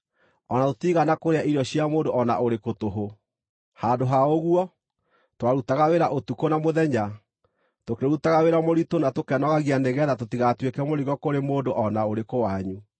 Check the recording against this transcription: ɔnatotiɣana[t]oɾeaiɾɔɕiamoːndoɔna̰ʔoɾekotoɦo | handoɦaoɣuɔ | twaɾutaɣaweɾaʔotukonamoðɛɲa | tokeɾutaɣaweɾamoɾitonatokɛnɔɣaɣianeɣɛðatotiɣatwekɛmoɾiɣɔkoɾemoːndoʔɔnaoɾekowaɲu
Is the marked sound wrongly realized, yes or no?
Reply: yes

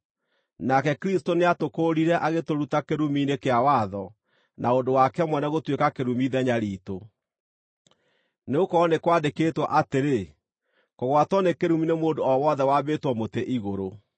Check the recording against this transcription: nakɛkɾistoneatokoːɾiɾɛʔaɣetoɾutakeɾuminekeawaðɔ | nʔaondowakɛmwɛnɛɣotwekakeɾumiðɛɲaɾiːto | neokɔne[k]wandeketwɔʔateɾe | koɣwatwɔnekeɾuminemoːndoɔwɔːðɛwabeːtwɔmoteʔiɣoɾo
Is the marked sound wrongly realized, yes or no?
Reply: no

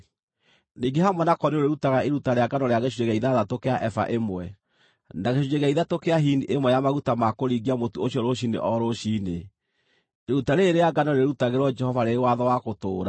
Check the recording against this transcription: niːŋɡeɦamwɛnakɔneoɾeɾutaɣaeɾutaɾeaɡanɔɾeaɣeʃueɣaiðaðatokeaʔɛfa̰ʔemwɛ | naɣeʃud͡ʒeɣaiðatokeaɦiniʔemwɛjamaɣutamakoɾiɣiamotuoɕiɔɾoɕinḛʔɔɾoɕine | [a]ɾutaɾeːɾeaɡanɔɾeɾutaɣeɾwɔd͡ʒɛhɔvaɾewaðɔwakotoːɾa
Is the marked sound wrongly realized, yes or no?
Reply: yes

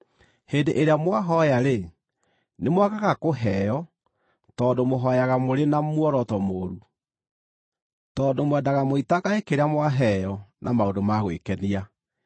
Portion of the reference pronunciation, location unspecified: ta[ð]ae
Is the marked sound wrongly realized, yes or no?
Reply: yes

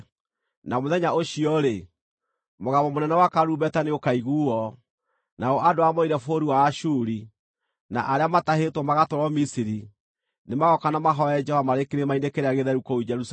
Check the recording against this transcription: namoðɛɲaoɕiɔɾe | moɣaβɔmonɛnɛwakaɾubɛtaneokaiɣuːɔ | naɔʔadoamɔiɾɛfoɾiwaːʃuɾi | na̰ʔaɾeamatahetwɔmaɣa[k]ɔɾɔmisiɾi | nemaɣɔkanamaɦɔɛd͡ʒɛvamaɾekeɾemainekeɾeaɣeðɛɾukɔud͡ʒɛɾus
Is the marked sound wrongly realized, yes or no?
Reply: yes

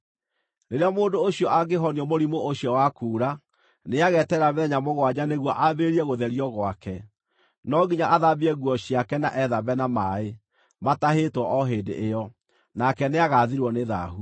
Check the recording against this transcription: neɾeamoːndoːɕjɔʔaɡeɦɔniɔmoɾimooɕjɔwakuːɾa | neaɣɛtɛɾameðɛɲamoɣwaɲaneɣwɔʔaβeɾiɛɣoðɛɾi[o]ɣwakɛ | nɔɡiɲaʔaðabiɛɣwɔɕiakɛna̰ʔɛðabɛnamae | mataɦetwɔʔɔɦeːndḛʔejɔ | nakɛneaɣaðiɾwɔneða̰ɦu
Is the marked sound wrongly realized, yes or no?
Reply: yes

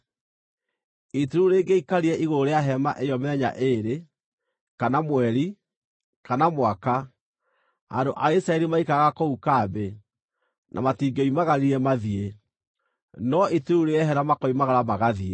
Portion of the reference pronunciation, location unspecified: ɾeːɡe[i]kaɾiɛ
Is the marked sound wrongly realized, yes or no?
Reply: no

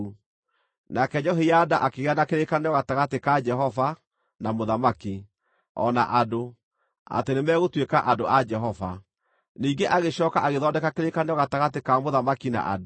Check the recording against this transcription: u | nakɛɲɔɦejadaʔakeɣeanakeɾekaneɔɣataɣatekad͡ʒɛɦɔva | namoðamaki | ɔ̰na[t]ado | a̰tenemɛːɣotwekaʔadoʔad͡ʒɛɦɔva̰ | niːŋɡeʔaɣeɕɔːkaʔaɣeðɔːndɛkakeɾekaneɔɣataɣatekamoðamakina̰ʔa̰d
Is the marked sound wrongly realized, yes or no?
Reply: yes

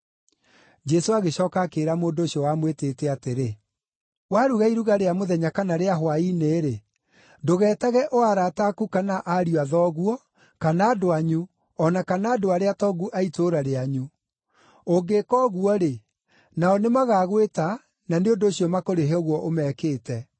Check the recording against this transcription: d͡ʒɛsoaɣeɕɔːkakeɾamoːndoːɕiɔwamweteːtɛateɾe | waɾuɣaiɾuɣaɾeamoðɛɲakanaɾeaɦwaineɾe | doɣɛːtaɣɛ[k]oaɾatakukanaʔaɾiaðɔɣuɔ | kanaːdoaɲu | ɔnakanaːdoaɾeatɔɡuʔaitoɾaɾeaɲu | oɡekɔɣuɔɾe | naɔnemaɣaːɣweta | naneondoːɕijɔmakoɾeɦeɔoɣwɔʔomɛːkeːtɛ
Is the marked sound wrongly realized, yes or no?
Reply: yes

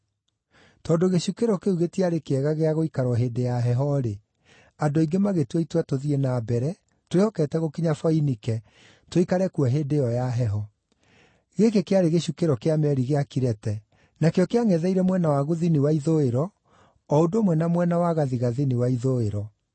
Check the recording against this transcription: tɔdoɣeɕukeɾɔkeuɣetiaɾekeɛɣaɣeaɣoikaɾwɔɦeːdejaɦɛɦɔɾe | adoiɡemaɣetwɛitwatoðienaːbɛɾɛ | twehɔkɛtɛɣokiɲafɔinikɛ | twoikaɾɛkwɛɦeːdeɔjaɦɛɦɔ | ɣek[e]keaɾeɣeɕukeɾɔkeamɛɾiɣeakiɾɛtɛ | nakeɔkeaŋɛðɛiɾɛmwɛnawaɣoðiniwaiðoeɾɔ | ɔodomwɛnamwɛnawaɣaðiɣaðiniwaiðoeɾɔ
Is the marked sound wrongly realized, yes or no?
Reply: no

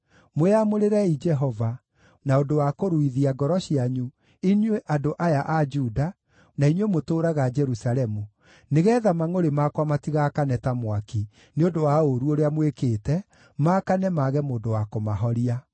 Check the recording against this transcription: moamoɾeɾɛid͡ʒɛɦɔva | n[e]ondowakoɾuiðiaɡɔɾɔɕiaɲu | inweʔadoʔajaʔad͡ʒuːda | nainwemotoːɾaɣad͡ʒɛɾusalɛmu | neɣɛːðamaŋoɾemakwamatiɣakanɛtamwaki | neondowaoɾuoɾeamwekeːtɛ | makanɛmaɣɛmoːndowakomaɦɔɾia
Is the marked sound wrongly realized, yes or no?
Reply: yes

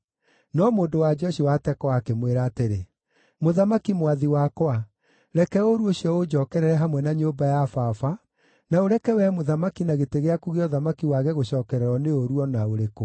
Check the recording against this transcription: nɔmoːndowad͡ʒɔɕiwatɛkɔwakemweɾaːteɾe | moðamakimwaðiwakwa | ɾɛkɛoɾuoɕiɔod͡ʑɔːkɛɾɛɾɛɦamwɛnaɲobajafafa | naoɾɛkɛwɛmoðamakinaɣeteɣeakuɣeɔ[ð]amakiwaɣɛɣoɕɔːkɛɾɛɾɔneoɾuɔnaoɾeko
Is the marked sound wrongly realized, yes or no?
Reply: no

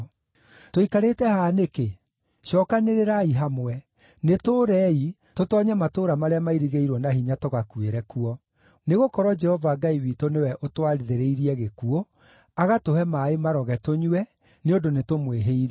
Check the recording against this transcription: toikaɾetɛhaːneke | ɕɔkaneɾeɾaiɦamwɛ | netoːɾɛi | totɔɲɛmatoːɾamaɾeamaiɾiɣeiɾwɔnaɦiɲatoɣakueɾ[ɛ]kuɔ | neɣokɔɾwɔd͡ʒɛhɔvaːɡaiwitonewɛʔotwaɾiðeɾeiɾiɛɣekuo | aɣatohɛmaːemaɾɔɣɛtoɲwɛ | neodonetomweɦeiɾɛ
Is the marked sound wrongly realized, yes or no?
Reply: no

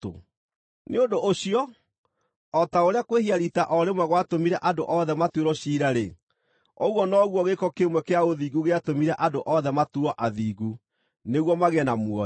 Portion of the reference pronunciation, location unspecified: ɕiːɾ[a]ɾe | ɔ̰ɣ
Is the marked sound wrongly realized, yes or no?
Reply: no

